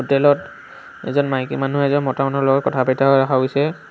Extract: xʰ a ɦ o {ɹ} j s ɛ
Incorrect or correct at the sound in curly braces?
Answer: incorrect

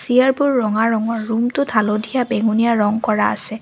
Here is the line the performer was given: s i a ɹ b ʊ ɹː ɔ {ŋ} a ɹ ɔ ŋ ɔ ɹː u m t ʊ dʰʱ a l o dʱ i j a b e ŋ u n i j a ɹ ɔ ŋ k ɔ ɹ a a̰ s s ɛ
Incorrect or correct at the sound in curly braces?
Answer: correct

